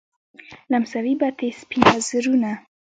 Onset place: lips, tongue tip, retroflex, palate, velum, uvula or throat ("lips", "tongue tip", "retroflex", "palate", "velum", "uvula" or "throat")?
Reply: tongue tip